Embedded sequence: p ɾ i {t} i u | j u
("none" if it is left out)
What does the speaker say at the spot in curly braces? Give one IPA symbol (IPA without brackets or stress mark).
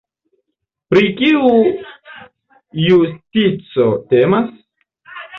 k